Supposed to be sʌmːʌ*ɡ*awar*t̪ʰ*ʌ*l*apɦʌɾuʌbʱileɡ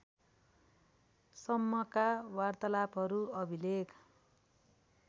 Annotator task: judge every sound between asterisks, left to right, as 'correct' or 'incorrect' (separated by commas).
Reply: incorrect, incorrect, correct